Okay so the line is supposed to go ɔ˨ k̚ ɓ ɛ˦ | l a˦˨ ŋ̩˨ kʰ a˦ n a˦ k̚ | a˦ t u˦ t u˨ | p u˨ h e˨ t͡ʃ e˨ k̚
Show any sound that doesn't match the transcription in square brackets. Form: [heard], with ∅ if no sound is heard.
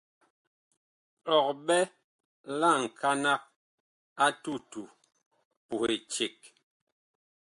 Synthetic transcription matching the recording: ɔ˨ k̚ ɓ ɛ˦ | l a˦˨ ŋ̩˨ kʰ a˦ n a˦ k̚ | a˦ t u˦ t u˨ | p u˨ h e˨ t͡ʃ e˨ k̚